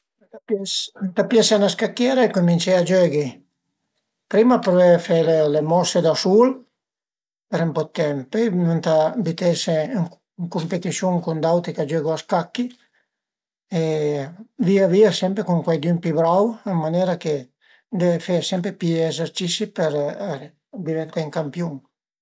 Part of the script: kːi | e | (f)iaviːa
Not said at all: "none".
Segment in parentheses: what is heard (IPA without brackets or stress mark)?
v